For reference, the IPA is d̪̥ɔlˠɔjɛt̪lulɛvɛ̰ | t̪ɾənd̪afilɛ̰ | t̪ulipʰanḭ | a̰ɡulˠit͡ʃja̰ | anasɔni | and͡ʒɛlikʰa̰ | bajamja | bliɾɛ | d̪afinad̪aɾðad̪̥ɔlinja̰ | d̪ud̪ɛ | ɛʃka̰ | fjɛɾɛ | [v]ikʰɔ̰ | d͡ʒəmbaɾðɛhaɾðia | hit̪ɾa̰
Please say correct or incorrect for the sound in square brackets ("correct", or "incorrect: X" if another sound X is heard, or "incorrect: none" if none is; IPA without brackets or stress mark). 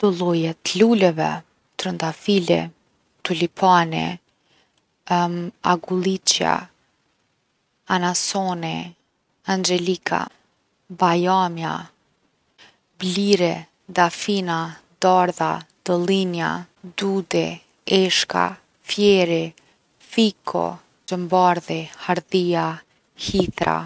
incorrect: f